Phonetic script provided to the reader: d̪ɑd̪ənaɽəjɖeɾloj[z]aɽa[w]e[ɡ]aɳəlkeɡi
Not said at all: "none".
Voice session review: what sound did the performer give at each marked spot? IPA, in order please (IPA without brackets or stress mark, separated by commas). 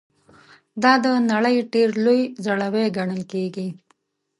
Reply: z, w, ɡ